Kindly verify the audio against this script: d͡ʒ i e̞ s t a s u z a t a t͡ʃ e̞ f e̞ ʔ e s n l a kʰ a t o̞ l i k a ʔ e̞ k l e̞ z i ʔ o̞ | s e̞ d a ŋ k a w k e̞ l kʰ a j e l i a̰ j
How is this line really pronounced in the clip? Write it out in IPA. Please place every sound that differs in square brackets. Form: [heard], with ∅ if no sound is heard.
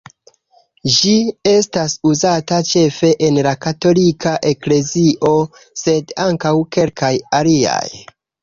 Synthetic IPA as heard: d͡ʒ i e̞ s t a s u z a t a t͡ʃ e̞ f e̞ ʔ e [∅] n l a [k] a t o̞ l i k a ʔ e̞ k l e̞ z i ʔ o̞ | s e̞ d a ŋ k a w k e̞ l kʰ a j [a] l i a̰ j